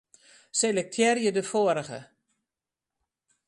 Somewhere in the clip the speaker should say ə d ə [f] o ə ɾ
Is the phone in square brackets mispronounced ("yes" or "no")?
no